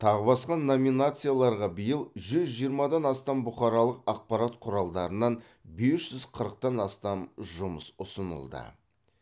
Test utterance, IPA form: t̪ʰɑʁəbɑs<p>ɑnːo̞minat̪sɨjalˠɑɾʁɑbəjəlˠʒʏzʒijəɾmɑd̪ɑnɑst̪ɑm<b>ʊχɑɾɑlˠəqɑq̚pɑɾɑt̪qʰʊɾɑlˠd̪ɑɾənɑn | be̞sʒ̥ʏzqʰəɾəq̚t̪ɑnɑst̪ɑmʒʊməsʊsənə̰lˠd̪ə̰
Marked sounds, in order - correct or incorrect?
incorrect, correct

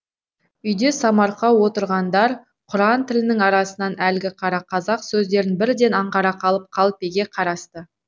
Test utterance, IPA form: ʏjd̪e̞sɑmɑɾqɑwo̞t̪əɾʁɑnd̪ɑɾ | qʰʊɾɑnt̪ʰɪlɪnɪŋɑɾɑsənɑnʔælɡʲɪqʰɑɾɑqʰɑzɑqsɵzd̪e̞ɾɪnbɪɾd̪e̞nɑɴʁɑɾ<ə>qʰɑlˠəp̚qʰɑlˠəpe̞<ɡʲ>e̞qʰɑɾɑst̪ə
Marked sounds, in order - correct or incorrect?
incorrect, correct

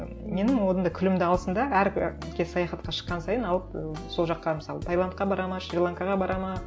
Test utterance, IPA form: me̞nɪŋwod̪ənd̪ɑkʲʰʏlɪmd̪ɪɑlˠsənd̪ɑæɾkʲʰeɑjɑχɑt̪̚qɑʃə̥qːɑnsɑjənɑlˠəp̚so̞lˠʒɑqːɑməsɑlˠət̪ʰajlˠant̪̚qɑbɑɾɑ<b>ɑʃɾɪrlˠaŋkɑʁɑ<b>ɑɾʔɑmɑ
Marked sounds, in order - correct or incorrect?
incorrect, correct

